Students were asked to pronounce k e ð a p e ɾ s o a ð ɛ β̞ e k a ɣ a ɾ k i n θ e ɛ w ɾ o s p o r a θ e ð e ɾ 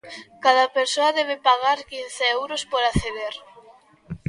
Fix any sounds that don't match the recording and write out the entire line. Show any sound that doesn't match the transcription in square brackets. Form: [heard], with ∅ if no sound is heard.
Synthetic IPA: k [a] ð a p e ɾ s o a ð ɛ β̞ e [p] a ɣ a ɾ k i n θ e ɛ w ɾ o s p o [ɾ] a θ e ð e ɾ